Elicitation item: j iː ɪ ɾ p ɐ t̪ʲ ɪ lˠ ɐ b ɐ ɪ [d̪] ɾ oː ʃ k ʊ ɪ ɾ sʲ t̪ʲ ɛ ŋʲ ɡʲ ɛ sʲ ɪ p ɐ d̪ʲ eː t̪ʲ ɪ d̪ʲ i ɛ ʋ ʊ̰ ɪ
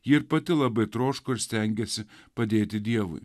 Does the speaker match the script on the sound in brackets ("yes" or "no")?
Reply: no